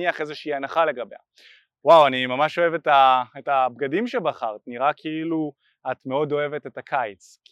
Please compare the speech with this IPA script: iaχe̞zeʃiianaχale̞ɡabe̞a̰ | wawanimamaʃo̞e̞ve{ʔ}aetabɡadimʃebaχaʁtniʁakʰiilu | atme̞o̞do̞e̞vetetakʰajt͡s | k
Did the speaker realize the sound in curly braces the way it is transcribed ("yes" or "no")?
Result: no